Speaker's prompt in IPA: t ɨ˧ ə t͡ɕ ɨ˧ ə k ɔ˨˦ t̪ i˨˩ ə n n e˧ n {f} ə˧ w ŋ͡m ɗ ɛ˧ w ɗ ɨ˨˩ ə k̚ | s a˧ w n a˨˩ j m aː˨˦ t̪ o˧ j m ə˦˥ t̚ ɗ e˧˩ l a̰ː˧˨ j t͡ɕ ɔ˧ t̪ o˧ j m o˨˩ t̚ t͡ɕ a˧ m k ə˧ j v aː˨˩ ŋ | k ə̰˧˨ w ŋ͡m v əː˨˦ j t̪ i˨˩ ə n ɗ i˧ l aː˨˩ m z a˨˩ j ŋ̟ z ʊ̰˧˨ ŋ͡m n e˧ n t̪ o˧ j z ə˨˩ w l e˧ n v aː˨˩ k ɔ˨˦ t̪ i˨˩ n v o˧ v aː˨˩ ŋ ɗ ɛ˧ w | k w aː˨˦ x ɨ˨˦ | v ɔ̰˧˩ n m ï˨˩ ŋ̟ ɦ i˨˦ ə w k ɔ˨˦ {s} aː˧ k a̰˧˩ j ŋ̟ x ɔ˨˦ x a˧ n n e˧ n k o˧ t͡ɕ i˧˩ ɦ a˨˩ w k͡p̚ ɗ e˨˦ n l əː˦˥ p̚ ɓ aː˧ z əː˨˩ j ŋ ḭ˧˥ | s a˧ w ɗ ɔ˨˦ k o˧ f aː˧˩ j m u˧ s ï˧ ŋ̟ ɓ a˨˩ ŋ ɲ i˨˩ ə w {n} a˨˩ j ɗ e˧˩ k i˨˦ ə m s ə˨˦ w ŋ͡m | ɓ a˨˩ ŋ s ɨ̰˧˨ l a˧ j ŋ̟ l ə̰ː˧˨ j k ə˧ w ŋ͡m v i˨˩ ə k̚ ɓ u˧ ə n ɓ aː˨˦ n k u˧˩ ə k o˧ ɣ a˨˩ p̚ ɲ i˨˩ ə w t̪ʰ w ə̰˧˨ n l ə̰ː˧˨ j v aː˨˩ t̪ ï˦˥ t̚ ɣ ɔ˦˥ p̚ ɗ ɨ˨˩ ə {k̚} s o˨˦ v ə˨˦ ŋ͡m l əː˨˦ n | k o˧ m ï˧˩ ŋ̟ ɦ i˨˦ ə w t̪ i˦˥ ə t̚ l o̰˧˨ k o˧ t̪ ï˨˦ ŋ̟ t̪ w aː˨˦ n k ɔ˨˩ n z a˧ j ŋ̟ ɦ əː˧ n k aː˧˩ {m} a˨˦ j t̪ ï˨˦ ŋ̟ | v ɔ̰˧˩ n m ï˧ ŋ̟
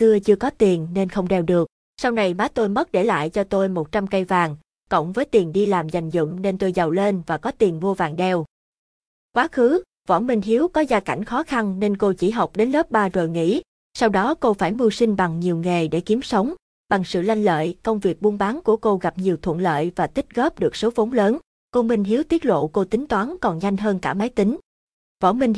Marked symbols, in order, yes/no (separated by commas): no, no, no, yes, yes